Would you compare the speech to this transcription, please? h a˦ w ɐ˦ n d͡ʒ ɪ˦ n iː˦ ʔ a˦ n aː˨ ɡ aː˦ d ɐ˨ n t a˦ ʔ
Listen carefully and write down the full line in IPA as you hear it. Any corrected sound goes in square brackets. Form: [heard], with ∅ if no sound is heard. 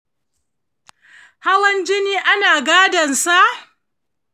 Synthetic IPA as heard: h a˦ w ɐ˦ n d͡ʒ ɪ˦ n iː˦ ʔ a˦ n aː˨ ɡ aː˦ d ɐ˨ n [s] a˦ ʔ